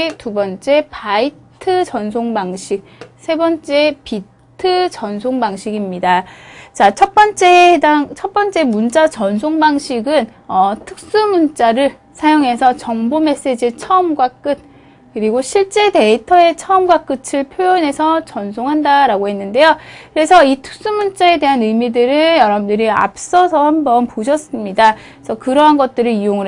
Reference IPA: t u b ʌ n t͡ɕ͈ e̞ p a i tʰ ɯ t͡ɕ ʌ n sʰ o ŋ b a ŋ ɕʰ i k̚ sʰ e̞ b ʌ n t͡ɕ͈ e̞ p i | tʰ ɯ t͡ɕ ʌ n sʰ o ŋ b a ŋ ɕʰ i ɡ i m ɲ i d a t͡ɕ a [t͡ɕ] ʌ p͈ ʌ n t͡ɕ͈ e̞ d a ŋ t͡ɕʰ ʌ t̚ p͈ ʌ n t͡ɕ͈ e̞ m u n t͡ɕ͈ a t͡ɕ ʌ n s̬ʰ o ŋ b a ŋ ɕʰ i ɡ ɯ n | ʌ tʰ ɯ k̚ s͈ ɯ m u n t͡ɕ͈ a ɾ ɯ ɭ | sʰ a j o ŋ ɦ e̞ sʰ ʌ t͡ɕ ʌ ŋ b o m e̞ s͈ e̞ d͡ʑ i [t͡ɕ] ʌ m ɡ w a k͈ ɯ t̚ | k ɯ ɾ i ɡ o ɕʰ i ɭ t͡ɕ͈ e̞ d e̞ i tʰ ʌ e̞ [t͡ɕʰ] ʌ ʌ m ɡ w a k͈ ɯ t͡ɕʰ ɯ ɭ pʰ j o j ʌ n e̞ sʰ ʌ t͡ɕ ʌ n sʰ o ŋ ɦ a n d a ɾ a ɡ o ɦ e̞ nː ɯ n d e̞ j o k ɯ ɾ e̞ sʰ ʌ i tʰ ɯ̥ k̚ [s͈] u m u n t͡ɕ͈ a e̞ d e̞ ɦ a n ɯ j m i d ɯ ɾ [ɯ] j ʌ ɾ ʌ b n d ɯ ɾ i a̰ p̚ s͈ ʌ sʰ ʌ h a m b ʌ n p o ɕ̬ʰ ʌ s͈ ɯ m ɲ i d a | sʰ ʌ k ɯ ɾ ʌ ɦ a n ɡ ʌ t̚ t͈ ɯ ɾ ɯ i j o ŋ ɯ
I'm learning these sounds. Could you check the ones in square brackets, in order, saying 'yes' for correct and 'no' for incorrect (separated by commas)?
no, no, yes, yes, yes